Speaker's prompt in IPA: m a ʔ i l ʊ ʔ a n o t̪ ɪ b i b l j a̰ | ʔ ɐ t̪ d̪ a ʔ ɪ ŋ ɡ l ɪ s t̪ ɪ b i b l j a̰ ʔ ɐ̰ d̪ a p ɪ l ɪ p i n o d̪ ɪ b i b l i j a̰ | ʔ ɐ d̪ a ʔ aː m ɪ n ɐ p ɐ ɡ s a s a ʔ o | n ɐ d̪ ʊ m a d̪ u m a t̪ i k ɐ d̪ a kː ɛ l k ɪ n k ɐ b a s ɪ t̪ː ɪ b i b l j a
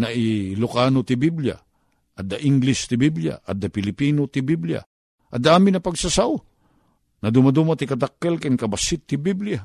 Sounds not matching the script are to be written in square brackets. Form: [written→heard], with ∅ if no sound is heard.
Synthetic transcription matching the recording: [m→n] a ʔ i l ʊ [ʔ→k] a n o t̪ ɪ b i b l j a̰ | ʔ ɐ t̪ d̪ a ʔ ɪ ŋ ɡ l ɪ s t̪ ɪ b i b l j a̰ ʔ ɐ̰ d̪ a p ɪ l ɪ p i n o [d̪→t̪] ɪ b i b l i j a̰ | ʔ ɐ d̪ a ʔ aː m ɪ n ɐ p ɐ ɡ s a s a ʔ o | n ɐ d̪ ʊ m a d̪ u m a t̪ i k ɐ d̪ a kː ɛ l k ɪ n k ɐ b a s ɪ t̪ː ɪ b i b l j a